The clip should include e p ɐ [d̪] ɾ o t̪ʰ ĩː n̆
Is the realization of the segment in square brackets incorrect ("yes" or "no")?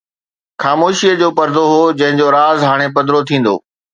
no